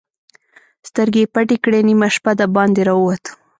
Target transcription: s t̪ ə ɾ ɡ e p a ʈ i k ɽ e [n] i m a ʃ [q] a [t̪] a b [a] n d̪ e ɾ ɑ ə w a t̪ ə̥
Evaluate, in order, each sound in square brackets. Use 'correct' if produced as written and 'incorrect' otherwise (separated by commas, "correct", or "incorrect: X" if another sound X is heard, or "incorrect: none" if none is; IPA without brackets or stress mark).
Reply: correct, incorrect: p, incorrect: d̪, incorrect: ɑ